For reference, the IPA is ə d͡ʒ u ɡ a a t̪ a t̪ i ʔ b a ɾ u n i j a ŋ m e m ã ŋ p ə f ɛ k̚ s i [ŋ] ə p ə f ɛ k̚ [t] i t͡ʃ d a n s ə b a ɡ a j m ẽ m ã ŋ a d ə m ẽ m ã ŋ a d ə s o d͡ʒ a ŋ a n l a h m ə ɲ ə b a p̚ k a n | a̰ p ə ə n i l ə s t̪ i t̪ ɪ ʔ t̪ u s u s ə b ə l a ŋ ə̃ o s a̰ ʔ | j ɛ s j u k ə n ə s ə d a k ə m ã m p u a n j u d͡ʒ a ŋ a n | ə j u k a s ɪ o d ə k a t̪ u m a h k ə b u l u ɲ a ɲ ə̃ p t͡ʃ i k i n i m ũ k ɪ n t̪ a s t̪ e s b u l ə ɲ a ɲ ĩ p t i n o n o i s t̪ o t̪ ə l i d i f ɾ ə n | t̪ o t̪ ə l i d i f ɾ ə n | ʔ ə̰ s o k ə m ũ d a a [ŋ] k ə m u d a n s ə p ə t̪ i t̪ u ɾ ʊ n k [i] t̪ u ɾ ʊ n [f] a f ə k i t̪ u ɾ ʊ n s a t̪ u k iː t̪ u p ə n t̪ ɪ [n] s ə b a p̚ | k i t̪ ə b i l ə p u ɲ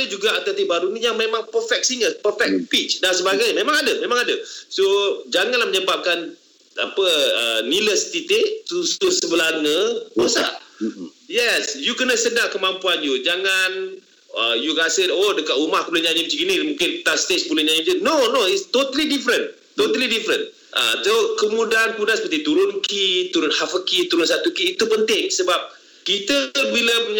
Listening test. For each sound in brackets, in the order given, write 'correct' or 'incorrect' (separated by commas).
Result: correct, incorrect, incorrect, correct, incorrect, incorrect